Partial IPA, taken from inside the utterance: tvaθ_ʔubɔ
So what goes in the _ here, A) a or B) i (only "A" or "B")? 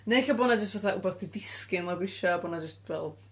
A